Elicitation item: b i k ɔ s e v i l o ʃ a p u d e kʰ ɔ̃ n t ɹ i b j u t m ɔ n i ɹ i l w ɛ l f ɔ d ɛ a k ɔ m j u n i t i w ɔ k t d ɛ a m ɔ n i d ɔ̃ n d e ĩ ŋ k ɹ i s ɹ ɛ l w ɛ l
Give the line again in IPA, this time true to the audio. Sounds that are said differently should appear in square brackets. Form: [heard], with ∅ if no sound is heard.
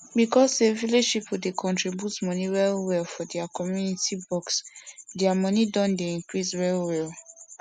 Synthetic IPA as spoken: b i k ɔ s e v i l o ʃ [i] p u d e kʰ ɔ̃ n t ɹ i b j u t m ɔ n i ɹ [ɛ] l w ɛ l f ɔ d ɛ a k ɔ m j u n i t i [b] ɔ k [s] d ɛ a m ɔ n i d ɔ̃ n d e ĩ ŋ k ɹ i s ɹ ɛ l w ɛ l